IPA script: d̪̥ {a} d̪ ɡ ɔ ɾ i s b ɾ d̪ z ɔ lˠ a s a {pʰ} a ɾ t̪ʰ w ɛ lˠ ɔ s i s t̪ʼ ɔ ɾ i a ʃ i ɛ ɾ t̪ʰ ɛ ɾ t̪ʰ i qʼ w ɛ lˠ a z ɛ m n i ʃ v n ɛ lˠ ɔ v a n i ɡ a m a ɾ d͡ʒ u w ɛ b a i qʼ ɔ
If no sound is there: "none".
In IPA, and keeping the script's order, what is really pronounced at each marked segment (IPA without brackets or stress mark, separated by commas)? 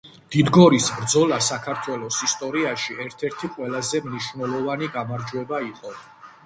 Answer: i, kʰ